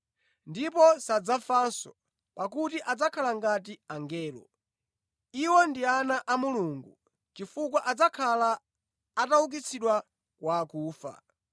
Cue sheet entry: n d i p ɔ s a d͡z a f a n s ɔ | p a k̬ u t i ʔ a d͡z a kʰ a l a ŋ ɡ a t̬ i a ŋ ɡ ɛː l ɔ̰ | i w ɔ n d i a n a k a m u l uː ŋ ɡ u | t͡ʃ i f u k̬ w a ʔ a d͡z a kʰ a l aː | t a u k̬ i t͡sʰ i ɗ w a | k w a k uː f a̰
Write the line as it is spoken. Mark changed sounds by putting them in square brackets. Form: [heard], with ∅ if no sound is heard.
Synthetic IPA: n d i p ɔ s a d͡z a f a n s ɔ | p a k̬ u t i ʔ a d͡z a kʰ a l a ŋ ɡ a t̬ i a ŋ ɡ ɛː l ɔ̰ | i w ɔ n d i a n a [ʔ] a m u l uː ŋ ɡ u | t͡ʃ i f u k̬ w a ʔ a d͡z a kʰ a l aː | t a u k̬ i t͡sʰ i ɗ w a | k w a k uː f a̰